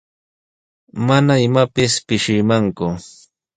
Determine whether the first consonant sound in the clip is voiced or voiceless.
voiced